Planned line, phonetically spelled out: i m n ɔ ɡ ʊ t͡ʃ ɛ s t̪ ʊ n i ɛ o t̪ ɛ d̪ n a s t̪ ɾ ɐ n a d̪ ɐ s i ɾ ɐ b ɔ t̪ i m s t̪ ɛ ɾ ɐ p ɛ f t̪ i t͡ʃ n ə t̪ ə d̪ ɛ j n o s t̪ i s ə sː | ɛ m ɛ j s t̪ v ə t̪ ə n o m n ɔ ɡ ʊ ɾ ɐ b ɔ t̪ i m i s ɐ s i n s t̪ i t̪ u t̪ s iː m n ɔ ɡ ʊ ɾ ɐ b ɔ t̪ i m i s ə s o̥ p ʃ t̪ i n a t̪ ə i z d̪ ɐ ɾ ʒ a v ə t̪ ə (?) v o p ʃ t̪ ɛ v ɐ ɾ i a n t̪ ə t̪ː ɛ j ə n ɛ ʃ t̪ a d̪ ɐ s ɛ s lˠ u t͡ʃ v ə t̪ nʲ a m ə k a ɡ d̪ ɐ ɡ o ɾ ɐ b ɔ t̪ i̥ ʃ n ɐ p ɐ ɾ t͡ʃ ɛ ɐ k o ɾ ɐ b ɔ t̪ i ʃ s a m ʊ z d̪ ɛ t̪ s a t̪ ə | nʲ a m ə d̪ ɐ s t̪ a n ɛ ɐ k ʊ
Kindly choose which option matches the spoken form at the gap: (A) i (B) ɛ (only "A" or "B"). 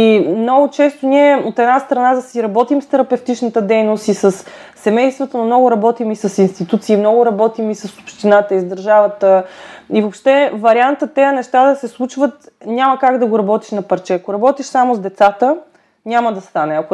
A